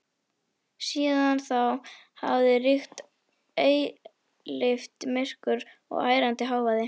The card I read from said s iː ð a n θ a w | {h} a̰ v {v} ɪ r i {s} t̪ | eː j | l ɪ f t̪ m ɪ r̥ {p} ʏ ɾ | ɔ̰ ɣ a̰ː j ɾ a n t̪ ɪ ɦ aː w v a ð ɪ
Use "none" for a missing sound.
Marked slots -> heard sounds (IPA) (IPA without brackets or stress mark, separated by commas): h, ð, x, k